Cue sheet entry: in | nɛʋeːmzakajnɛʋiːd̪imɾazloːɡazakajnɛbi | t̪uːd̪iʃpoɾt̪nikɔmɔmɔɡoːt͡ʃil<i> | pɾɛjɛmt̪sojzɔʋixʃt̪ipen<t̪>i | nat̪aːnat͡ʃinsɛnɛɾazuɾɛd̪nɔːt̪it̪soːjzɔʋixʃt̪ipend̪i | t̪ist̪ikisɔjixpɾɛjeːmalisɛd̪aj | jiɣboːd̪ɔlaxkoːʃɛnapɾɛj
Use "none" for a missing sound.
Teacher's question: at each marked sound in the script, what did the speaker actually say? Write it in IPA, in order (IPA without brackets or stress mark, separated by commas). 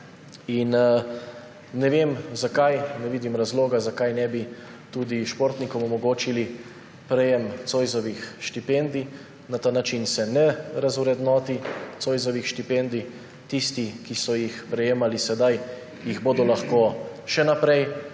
i, d̪